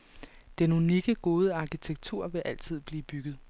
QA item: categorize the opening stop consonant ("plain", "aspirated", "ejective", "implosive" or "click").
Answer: plain